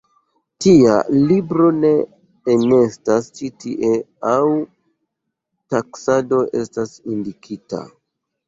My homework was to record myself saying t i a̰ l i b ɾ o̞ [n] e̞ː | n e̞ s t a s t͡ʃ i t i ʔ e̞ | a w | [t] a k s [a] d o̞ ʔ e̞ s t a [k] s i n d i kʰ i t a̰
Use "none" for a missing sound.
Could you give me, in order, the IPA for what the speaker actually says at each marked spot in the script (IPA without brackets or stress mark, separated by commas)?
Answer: n, t, a, none